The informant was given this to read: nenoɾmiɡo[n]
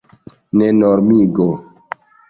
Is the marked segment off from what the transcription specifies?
yes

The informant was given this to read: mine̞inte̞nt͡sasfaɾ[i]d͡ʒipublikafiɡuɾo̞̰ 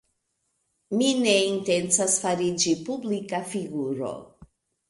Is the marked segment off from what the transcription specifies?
no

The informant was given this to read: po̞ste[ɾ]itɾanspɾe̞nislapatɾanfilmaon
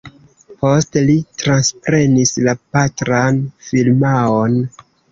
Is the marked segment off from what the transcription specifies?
yes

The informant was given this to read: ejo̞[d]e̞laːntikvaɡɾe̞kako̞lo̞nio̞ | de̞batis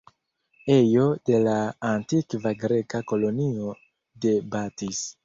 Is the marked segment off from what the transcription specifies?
no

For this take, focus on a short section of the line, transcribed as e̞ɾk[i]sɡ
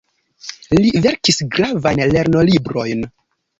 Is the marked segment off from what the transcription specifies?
no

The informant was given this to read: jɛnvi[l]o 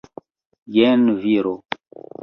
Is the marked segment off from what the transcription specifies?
yes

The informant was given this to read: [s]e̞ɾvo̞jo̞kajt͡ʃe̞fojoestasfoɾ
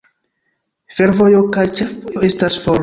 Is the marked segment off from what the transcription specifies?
yes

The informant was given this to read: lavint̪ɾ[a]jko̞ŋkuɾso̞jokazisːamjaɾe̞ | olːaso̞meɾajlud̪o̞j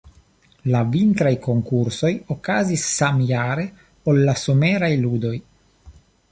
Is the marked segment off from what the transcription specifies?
no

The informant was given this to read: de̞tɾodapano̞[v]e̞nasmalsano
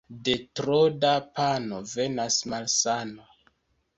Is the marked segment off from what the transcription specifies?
no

